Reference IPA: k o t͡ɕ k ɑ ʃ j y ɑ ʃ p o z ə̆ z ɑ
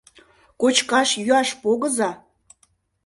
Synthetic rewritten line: k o t͡ɕ k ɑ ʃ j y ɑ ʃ p o ɣ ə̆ z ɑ